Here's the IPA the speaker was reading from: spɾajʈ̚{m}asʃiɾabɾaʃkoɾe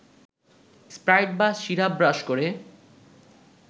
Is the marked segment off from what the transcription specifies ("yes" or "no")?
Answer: yes